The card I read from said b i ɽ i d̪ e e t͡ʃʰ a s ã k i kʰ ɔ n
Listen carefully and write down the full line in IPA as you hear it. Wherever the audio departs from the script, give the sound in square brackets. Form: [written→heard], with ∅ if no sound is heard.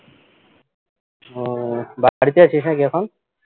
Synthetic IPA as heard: b [i→a] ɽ i [d̪→t̪] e [e→a] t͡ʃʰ [a→i] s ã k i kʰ ɔ n